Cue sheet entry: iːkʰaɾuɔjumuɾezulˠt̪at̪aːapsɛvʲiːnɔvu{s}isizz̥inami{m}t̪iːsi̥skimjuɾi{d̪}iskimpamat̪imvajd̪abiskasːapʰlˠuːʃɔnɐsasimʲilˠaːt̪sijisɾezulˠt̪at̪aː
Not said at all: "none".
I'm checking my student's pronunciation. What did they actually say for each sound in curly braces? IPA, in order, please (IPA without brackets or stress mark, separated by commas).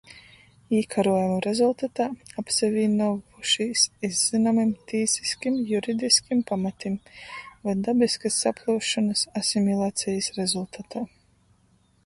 ʃ, m, d̪